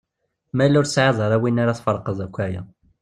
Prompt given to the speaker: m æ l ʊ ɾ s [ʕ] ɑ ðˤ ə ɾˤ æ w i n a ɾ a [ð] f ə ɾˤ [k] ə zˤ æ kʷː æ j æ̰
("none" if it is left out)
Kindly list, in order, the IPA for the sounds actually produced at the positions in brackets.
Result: ʕ, θ, q

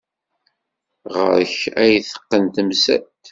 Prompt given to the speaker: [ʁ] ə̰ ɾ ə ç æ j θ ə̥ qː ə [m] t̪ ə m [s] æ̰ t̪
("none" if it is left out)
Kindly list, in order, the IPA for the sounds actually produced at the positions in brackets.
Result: ʁ, n, s

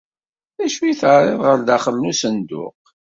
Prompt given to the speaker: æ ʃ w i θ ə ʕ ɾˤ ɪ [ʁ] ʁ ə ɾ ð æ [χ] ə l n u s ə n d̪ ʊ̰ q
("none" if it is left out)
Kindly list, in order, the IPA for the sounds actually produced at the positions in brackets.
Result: ð, χ

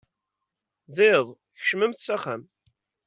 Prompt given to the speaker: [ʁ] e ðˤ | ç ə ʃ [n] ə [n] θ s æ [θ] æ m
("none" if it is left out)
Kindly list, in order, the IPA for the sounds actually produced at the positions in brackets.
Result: ð, m, m, χ

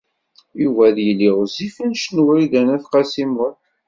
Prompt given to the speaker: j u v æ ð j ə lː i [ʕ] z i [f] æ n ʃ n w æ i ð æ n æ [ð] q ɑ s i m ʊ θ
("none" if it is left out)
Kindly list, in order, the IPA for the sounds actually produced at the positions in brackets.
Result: ʁ, f, θ

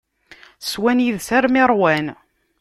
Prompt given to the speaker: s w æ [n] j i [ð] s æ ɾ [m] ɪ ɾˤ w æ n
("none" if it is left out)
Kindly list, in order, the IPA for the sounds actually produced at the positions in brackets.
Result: n, ð, m

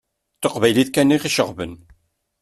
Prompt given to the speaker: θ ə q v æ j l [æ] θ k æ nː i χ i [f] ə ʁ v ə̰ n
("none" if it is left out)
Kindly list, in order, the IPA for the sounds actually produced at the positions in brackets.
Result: i, ʃ

